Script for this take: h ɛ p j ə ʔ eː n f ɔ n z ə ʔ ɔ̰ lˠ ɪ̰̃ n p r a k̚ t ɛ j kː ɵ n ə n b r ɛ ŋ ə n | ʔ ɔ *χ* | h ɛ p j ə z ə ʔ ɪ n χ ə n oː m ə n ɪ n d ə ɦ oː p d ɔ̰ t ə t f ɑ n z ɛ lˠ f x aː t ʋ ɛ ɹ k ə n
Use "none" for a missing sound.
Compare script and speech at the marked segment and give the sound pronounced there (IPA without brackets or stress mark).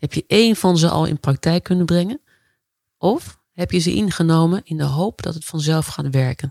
f